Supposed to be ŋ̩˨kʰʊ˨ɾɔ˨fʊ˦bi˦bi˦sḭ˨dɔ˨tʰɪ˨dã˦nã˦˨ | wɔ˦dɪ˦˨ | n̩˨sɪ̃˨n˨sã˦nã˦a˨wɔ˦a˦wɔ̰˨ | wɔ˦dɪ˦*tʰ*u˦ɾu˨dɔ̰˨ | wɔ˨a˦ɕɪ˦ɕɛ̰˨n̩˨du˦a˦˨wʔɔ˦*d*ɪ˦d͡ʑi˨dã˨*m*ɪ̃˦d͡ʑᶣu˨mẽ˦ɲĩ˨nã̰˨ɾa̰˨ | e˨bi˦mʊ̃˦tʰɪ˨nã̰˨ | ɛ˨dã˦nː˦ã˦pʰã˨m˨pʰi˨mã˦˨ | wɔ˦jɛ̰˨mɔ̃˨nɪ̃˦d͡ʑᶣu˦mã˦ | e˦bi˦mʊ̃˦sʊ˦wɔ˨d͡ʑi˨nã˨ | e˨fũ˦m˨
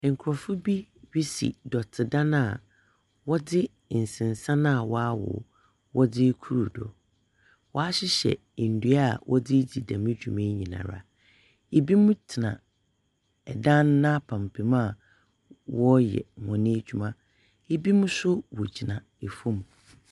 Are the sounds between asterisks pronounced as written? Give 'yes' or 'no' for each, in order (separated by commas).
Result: no, yes, yes